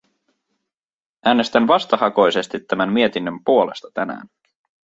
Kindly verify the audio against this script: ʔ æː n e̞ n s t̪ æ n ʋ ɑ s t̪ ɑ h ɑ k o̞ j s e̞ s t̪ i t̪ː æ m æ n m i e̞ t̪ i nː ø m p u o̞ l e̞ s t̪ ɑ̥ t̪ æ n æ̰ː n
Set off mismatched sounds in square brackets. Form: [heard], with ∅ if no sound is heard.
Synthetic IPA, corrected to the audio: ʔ æː n e̞ [∅] s t̪ æ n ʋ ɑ s t̪ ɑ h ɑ k o̞ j s e̞ s t̪ i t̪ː æ m æ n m i e̞ t̪ i nː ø m p u o̞ l e̞ s t̪ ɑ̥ t̪ æ n æ̰ː n